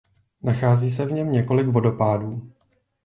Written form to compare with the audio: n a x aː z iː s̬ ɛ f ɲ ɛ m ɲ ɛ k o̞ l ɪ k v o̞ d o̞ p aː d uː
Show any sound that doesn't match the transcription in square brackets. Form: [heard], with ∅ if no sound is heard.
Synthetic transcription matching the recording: n a x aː z iː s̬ ɛ [v] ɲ ɛ m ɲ ɛ k o̞ l ɪ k v o̞ d o̞ p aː d uː